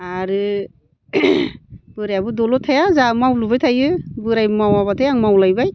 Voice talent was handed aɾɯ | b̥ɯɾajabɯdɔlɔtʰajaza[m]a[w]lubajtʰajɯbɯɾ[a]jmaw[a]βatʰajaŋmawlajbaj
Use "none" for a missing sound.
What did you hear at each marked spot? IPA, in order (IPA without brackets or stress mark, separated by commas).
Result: m, w, a, a